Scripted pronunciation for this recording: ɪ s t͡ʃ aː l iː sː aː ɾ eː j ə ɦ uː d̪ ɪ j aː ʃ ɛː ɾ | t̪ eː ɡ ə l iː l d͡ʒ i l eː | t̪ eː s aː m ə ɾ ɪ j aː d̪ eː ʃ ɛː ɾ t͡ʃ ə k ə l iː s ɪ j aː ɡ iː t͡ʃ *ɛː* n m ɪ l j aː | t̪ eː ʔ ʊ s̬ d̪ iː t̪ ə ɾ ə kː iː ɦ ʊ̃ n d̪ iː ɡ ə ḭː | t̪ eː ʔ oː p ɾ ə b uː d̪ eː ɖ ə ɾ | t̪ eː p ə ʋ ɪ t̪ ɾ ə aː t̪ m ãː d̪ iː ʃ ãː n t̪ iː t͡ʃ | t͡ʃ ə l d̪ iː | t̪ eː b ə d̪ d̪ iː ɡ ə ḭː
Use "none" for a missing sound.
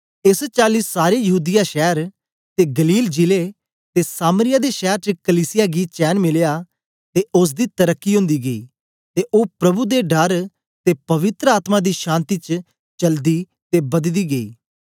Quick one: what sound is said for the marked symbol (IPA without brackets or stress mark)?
ɛː